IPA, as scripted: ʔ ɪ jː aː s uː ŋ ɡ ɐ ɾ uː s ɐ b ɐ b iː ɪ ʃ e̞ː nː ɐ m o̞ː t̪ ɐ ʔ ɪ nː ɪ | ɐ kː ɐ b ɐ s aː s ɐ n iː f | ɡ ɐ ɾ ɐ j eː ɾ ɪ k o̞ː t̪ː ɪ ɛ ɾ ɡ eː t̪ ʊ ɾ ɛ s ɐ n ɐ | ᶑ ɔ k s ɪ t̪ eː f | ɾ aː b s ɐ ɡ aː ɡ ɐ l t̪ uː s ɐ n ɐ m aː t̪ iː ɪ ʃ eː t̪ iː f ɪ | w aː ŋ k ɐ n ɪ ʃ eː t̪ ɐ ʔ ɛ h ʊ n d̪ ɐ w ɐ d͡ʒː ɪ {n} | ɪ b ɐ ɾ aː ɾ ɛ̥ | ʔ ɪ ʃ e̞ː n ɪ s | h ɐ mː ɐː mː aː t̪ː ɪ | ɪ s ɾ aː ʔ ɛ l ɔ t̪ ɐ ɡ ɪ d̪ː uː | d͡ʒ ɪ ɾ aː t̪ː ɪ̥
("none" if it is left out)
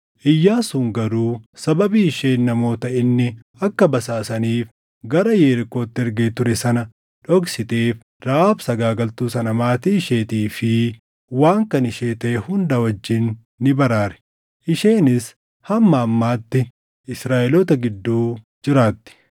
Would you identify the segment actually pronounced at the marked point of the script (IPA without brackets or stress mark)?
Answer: nː